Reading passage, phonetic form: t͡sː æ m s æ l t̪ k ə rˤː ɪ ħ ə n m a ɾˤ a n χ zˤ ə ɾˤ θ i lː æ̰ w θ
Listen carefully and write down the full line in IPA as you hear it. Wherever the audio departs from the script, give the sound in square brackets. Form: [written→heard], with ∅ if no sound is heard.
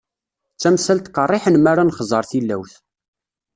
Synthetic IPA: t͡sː æ m s æ l t̪ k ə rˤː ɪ ħ ə n m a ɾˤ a n χ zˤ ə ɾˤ θ i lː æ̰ w θ

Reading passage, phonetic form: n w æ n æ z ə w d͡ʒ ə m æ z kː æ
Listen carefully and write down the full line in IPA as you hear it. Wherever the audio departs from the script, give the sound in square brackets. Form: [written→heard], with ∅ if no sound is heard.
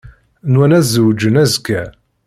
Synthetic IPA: n w æ n æ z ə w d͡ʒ ə [m→n] æ z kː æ

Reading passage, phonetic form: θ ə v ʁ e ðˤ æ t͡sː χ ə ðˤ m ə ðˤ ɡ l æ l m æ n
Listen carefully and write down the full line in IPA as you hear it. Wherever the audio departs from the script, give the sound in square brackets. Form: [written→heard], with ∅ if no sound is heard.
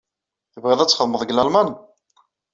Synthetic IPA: θ ə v ʁ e ðˤ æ t͡sː χ ə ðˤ m ə ðˤ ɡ l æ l m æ n

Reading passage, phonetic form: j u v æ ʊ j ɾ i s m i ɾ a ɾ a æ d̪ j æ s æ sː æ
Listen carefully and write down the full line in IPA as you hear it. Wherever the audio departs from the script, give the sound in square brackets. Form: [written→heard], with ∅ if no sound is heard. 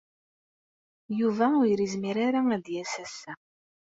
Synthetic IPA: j u v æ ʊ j ɾ i [s→z] m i ɾ a ɾ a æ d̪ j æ s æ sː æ

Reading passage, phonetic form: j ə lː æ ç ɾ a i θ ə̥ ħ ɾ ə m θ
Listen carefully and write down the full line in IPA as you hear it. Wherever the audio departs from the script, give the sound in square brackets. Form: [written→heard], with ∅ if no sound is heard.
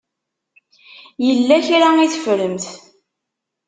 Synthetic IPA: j ə lː æ ç ɾ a i θ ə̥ [ħ→f] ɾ ə m θ

